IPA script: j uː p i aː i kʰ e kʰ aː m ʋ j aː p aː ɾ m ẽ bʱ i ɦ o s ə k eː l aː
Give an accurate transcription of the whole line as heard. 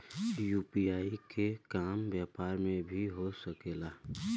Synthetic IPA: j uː p i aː i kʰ e k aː m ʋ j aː p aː ɾ m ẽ bʱ i ɦ o s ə k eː l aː

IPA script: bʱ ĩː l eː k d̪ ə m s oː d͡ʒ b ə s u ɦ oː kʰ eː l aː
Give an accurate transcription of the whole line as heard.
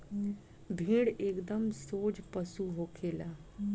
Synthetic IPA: bʱ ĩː ɽ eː k d̪ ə m s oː d͡ʒ p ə s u ɦ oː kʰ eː l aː

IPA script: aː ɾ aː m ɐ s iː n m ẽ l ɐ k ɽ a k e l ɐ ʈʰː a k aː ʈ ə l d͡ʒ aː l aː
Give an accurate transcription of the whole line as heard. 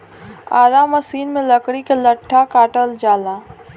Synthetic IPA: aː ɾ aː m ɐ s iː n m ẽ l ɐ k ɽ i k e l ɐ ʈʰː a k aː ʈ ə l d͡ʒ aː l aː

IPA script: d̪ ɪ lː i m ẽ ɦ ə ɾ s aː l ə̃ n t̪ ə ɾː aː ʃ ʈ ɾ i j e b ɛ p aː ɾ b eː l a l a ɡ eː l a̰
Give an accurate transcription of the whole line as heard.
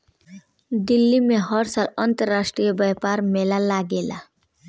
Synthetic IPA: d̪ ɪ lː i m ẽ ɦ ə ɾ s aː l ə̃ n t̪ ə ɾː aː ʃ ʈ ɾ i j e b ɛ p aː ɾ m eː l a l a ɡ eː l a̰

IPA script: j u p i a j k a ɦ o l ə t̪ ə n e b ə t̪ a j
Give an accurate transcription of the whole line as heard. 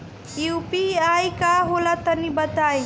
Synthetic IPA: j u p i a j k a ɦ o l a t̪ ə n i b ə t̪ a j

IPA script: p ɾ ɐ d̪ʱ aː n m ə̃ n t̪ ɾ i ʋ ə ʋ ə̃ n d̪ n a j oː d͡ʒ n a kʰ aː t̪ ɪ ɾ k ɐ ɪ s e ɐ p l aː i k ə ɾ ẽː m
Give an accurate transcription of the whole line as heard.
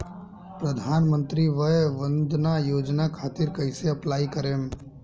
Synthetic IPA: p ɾ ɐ d̪ʱ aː n m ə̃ n t̪ ɾ i ʋ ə ʋ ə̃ n d̪ n a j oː d͡ʒ n a kʰ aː t̪ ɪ ɾ k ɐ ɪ s e ɐ p l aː i k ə ɾ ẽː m

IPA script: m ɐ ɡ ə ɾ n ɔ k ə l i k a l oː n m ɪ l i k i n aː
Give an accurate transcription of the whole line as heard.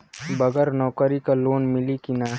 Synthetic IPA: b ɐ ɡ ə ɾ n ɔː k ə ɾ i k a l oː n m ɪ l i k i n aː

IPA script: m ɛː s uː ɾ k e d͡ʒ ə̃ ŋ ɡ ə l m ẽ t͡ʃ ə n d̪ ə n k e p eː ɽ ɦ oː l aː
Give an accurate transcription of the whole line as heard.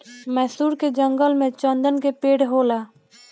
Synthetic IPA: m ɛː s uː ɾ k e d͡ʒ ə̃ ŋ ɡ ə l m ẽ t͡ʃ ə n d̪ ə n k e p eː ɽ ɦ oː l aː

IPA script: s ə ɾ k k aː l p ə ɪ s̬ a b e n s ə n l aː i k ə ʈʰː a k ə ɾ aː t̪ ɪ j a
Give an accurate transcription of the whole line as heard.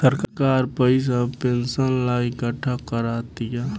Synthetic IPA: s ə ɾ k k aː ɾ p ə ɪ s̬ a p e n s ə n l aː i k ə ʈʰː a k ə ɾ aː t̪ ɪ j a

